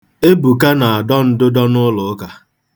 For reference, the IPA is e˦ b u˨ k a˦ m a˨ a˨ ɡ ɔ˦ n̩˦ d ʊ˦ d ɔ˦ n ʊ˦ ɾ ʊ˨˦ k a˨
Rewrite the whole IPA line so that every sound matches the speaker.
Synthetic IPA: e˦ b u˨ k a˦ n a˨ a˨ d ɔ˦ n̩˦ d ʊ˦ d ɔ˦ n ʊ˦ l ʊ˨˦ k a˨